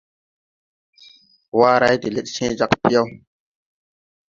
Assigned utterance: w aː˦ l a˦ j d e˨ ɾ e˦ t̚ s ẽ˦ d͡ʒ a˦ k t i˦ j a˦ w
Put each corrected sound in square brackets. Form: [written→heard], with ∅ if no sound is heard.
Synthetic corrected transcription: w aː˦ [l→ɾ] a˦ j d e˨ [ɾ→l] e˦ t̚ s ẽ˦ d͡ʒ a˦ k [t→p] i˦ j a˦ w

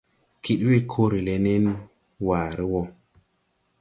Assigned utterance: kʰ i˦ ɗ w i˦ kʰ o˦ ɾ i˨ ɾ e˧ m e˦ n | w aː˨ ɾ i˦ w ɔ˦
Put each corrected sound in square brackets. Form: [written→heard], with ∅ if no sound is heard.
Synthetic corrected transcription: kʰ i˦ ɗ w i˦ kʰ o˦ ɾ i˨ [ɾ→l] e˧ [m→n] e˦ n | w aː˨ ɾ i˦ w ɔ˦

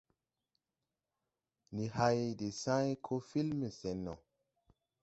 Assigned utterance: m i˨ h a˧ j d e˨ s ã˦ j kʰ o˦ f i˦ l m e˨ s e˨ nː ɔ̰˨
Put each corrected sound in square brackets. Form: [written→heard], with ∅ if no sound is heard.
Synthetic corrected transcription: [m→n] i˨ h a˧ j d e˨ s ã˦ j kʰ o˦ f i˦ l m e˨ s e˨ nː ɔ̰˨

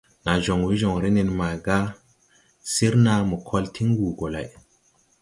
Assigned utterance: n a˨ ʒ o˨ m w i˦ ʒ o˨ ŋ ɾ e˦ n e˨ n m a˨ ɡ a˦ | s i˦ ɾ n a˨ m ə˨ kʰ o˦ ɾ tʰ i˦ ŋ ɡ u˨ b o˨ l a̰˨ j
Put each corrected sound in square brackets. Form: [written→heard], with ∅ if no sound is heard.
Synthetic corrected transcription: n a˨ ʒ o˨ [m→ŋ] w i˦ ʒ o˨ ŋ ɾ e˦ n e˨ n m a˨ ɡ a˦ | s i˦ ɾ n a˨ m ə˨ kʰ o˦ [ɾ→l] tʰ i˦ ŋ ɡ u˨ [b→ɡ] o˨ l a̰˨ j

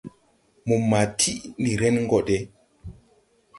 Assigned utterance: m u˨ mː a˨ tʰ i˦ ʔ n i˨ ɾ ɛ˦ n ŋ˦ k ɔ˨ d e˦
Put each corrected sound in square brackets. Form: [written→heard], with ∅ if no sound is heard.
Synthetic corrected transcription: m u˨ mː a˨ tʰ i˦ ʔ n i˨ ɾ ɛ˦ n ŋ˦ [k→ɡ] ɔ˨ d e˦

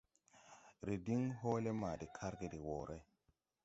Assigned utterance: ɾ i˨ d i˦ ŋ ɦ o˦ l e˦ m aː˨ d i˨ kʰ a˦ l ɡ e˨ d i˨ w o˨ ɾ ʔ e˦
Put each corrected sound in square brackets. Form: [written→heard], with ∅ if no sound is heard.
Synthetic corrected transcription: ɾ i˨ d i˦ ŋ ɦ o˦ l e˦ m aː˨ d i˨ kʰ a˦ [l→ɾ] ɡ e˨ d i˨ w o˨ ɾ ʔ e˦

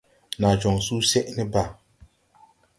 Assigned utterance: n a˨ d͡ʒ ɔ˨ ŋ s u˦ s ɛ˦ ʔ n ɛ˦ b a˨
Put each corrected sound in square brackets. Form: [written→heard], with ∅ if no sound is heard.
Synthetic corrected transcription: n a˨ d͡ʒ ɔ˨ ŋ s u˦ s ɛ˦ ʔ n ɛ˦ b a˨

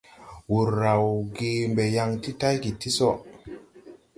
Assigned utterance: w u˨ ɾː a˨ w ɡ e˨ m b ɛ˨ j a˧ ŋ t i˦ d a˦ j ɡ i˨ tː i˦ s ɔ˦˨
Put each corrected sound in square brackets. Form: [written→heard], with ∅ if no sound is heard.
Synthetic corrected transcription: w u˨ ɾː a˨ w ɡ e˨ m b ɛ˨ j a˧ ŋ t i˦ [d→t] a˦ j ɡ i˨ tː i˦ s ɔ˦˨

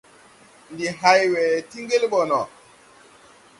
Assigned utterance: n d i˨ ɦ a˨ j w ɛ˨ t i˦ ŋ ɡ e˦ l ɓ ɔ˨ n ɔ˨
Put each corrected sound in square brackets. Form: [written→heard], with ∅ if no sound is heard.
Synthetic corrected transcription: n d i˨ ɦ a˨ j w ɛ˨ t i˦ ŋ ɡ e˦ l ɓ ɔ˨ n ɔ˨

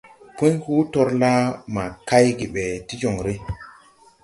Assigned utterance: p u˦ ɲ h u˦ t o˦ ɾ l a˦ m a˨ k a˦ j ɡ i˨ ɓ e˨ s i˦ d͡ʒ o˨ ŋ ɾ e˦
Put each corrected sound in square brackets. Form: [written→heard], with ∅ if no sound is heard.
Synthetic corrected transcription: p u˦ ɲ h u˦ t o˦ ɾ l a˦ m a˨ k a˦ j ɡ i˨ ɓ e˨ [s→t] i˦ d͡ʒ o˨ ŋ ɾ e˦

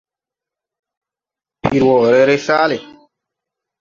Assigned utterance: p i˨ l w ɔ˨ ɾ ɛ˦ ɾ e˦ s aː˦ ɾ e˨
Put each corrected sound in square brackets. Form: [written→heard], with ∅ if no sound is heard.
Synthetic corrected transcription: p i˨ [l→ɾ] w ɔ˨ ɾ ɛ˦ ɾ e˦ s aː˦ [ɾ→l] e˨

